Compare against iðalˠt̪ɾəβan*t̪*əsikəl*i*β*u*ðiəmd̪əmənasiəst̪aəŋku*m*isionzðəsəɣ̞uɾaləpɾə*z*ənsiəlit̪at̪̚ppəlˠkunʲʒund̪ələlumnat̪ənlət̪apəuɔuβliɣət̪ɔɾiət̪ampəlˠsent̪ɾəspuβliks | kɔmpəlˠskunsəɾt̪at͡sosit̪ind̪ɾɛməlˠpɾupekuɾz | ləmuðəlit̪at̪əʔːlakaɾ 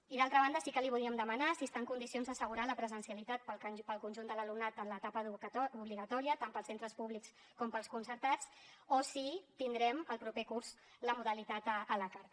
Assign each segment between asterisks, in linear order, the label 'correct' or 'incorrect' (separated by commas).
incorrect, correct, correct, incorrect, correct